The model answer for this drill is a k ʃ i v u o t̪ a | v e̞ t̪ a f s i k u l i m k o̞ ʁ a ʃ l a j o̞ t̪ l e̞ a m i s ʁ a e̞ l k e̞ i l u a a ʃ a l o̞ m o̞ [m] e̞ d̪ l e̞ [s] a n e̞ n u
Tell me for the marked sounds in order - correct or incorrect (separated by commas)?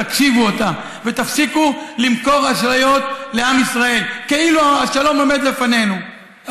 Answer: correct, incorrect